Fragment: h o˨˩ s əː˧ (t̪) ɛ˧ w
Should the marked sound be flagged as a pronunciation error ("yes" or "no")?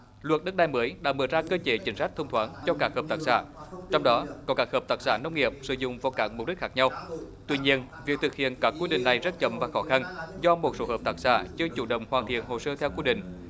yes